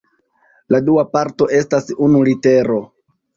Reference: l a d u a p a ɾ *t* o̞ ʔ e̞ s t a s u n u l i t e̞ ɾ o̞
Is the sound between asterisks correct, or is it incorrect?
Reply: correct